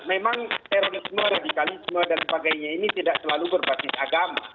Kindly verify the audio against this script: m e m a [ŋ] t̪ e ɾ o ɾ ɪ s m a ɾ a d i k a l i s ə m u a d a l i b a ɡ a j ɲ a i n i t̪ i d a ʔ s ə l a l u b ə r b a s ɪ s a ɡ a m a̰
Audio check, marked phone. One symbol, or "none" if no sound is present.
ŋ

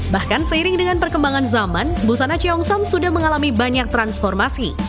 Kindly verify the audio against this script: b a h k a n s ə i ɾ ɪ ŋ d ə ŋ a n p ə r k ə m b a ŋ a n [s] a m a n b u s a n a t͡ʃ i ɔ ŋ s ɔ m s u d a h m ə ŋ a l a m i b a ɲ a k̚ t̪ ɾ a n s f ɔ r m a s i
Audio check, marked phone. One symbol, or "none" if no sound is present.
z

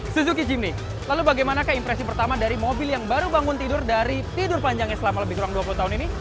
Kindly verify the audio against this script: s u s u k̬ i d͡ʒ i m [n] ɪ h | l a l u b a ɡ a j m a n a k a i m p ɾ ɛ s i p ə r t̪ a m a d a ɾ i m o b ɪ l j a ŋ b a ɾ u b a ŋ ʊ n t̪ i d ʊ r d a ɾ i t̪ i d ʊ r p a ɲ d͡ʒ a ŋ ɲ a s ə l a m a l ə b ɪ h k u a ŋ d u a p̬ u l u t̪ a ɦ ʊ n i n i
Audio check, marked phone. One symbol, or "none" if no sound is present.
n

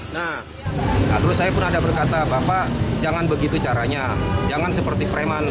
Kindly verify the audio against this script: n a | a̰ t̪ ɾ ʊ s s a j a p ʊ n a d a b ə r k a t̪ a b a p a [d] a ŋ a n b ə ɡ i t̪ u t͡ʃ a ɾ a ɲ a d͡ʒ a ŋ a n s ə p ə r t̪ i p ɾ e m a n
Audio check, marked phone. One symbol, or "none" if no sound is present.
d͡ʒ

